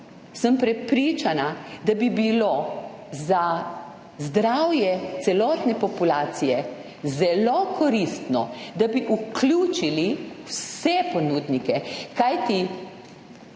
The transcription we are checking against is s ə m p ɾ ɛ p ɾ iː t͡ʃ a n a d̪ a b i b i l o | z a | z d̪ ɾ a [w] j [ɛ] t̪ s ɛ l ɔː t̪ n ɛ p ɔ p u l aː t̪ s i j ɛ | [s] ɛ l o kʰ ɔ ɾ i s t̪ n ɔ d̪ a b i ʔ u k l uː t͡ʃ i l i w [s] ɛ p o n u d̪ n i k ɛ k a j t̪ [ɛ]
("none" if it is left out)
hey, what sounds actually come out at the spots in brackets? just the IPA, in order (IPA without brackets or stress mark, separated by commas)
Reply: w, ɛ, z, s, i